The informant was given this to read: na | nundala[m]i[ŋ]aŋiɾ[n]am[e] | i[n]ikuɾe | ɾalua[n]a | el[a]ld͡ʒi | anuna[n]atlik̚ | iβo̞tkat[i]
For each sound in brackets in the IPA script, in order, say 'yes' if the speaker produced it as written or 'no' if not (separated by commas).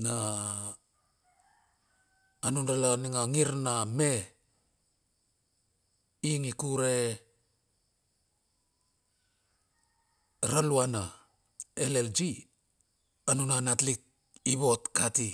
no, yes, yes, yes, no, yes, no, yes, yes